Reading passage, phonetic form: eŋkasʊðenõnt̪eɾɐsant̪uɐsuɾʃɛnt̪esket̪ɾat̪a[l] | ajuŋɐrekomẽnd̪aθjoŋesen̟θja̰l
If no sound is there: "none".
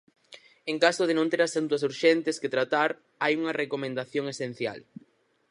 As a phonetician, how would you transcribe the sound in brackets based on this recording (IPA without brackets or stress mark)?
ɾ